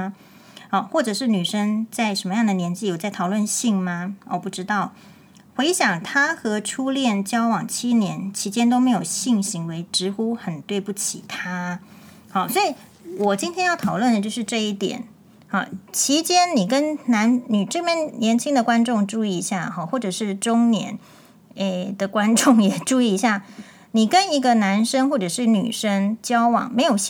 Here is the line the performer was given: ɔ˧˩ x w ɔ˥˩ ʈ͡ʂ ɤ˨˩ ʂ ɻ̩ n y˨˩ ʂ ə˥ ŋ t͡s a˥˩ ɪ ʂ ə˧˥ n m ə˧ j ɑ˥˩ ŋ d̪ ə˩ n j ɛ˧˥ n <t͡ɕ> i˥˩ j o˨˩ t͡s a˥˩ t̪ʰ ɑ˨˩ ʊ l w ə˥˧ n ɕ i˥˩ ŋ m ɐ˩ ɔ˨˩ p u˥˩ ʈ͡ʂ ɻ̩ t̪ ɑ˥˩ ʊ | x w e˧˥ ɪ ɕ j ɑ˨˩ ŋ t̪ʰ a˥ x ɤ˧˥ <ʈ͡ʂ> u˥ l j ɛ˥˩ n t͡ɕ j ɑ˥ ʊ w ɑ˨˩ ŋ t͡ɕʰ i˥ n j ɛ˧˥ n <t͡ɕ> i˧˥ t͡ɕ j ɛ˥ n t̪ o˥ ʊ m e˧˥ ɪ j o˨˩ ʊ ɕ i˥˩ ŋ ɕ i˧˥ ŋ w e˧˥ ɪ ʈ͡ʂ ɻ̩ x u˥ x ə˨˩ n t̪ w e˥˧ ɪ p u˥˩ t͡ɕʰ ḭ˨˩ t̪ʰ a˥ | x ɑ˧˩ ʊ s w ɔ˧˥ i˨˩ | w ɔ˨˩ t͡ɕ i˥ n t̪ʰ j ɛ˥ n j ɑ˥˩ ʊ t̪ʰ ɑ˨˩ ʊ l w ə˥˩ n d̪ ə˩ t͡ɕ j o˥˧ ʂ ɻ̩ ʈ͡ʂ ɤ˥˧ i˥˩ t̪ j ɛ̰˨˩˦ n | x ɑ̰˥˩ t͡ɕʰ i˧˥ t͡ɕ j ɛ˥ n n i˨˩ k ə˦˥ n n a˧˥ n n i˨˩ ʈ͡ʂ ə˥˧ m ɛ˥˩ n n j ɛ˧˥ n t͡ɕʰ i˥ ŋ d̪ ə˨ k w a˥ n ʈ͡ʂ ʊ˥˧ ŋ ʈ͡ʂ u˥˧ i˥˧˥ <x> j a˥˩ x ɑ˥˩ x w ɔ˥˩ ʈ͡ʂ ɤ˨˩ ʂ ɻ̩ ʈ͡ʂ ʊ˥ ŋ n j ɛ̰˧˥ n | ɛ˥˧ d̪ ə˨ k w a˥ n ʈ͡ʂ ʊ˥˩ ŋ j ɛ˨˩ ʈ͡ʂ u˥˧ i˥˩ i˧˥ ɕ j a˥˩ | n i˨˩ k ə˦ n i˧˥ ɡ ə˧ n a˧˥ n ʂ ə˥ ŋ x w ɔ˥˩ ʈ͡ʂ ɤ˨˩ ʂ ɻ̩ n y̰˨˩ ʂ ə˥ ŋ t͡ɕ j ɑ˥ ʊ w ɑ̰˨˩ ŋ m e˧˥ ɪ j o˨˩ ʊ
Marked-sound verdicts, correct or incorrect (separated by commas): correct, incorrect, incorrect, incorrect